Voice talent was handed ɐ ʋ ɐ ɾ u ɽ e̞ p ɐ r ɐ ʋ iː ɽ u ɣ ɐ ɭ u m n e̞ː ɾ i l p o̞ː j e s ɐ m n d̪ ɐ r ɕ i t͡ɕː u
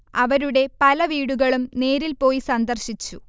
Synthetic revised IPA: ɐ ʋ ɐ ɾ u ɽ e̞ p ɐ l ɐ ʋ iː ɽ u ɣ ɐ ɭ u m n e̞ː ɾ i l p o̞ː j i s ɐ n d̪ ɐ r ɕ i t͡ɕː u